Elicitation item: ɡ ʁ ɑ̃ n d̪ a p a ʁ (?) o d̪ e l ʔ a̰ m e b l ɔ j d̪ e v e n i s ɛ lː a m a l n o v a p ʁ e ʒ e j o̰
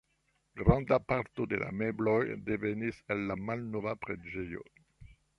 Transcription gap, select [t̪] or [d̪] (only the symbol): t̪